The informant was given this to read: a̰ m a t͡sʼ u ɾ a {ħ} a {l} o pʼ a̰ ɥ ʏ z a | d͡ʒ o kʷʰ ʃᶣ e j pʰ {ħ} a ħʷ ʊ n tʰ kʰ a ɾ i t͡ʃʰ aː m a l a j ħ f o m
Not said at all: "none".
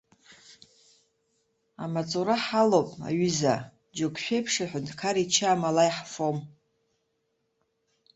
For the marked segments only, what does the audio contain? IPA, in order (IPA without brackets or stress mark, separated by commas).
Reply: ħ, l, ʂ